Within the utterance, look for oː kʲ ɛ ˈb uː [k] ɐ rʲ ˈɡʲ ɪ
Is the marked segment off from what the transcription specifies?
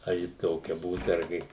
yes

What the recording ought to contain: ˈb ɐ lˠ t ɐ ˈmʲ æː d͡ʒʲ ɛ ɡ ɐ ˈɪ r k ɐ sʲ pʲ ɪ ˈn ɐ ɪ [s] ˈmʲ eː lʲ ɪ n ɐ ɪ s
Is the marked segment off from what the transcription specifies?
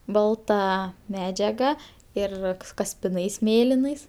no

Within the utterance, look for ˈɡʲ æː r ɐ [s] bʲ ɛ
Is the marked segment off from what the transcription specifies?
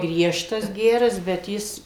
no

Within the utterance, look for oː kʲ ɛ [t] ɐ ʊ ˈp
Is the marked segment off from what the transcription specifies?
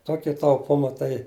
no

